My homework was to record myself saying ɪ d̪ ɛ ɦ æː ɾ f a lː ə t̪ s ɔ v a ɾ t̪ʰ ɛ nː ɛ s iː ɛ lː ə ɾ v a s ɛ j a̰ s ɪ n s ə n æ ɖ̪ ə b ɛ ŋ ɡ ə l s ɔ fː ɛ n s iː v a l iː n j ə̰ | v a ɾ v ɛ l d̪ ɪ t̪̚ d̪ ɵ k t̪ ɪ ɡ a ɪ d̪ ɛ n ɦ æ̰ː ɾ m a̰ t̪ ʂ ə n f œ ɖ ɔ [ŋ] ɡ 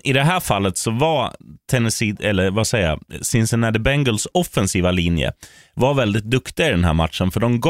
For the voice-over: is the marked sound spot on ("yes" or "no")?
no